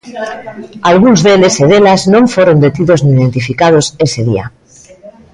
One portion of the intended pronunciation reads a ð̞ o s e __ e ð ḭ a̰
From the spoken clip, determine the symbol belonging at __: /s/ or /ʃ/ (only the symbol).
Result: s